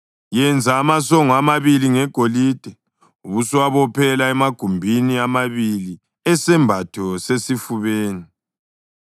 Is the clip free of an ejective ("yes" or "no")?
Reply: yes